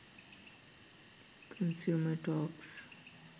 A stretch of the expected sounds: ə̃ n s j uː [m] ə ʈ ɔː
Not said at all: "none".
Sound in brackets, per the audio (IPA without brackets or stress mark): m